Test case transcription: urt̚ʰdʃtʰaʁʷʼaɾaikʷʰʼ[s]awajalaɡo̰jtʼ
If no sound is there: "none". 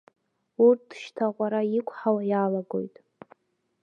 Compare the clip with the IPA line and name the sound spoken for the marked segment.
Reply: ħ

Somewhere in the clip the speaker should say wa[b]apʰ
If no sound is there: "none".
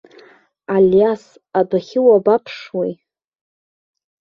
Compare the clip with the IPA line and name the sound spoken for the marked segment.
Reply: b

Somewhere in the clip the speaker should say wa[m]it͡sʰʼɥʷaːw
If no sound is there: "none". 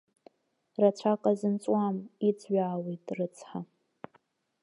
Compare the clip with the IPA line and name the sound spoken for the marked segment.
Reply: m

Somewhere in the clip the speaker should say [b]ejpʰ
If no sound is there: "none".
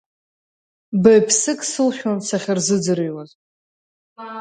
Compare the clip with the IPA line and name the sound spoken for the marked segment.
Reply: b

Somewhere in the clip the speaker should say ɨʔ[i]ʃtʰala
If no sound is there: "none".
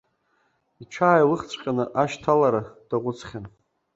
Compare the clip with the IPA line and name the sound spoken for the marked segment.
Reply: a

